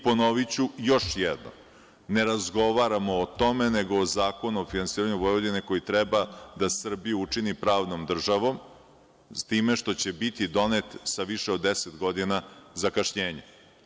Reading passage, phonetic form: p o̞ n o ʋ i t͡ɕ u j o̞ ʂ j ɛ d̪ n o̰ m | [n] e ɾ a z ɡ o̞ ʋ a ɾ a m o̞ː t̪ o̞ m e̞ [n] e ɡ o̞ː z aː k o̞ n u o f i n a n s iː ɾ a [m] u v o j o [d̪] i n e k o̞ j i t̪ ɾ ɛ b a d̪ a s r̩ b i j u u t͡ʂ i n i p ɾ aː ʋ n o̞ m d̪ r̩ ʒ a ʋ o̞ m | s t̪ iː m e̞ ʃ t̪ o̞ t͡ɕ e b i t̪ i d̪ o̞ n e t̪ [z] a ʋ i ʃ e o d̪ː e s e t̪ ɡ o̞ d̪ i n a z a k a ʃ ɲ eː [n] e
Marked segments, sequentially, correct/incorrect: correct, correct, incorrect: ɲ, correct, incorrect: s, incorrect: ɲ

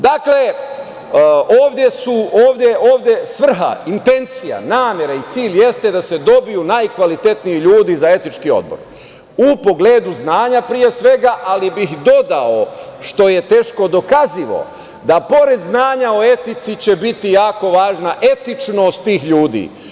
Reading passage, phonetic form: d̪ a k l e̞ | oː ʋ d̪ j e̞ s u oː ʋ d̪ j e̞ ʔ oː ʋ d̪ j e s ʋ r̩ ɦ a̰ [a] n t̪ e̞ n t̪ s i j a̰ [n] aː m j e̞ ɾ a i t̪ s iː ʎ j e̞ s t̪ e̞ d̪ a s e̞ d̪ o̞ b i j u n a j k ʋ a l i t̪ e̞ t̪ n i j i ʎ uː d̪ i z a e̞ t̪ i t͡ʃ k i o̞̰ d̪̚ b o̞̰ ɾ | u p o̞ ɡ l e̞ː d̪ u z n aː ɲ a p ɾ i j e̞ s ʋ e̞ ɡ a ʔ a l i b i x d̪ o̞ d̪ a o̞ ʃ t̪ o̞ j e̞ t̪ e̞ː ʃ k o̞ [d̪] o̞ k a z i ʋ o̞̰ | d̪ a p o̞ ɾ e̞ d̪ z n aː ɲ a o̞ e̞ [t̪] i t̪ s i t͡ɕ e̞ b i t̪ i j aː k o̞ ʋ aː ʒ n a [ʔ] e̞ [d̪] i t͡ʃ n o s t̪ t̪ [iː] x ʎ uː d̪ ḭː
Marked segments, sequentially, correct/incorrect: incorrect: i, correct, correct, correct, correct, incorrect: t̪, correct

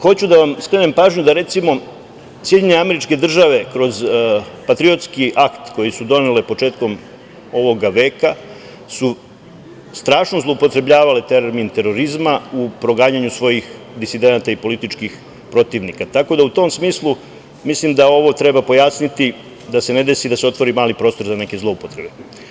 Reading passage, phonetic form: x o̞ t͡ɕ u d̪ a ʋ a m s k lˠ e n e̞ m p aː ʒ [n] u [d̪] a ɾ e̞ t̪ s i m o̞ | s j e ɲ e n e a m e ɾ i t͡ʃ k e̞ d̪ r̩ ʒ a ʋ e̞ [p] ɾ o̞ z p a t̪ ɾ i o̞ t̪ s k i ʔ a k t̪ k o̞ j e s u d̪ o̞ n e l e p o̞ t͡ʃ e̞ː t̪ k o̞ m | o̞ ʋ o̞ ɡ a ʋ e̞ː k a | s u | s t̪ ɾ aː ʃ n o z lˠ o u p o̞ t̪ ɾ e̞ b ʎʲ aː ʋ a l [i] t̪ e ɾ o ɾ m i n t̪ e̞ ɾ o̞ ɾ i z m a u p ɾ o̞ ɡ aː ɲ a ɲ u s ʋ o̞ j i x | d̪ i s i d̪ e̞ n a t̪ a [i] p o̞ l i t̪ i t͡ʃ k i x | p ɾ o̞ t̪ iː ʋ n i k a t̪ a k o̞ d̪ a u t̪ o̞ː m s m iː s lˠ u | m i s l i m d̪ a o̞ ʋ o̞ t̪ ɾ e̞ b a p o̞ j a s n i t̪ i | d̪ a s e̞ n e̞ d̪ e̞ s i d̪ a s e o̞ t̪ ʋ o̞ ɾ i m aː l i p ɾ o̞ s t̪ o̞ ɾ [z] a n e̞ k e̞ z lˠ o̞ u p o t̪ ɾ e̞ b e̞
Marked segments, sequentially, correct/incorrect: incorrect: ɲ, correct, incorrect: k, incorrect: e, correct, correct

